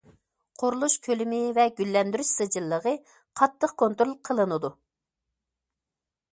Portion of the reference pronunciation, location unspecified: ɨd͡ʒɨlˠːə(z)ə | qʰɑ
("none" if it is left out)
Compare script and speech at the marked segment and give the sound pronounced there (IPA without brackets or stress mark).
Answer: ʁ